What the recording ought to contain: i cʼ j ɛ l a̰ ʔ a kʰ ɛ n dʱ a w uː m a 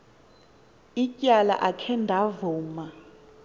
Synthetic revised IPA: i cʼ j a l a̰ ʔ a kʰ ɛ n dʱ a v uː m a